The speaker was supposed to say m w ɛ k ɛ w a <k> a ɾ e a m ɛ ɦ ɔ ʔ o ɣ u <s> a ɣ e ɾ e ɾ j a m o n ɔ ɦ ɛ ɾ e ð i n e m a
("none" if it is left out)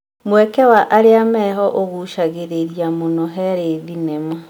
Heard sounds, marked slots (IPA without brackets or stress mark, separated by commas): ʔ, ʃ